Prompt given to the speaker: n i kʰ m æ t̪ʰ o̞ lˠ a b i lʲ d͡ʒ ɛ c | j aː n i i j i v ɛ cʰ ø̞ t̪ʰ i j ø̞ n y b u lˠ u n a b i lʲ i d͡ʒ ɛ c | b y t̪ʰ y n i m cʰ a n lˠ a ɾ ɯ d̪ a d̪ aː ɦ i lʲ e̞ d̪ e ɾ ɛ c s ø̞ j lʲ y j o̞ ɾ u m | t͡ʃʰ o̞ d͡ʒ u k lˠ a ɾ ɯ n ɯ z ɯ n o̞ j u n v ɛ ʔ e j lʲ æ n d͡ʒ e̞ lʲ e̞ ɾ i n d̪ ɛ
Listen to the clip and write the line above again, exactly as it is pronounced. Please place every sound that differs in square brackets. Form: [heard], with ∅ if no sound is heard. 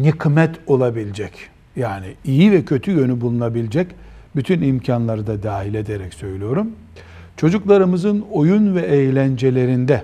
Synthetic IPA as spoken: n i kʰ m [ɛ] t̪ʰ o̞ lˠ a b i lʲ d͡ʒ ɛ c | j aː n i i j i v ɛ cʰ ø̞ t̪ʰ [y] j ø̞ n y b u lˠ u n a b i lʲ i d͡ʒ ɛ c | b y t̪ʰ y n i m cʰ a n lˠ a ɾ ɯ d̪ a d̪ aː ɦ i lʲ e̞ d̪ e ɾ ɛ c s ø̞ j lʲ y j o̞ ɾ u m | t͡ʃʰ o̞ d͡ʒ u k lˠ a ɾ ɯ [m] ɯ z ɯ n o̞ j u n v ɛ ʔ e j lʲ æ n d͡ʒ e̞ lʲ e̞ ɾ i n d̪ ɛ